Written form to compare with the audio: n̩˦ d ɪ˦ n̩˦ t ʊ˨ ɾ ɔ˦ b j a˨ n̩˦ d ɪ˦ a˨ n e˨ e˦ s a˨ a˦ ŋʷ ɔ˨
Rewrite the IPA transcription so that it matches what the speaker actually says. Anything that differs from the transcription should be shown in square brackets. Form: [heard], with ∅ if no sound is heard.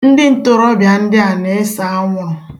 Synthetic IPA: n̩˦ d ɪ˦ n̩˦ t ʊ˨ ɾ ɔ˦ b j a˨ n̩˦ d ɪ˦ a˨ n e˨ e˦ s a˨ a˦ ŋʷ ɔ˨